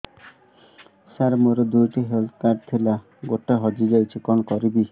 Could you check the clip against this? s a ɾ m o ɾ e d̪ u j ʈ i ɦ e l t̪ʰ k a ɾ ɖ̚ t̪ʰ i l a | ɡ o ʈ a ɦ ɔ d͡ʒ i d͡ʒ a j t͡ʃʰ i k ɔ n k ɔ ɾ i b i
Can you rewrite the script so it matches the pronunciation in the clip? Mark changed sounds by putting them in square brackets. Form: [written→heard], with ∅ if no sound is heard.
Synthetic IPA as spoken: s a ɾ m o ɾ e d̪ u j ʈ i ɦ e l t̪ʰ k a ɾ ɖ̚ t̪ʰ i l a | ɡ o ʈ a ɦ ɔ d͡ʒ i d͡ʒ a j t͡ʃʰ i k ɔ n k ɔ ɾ i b i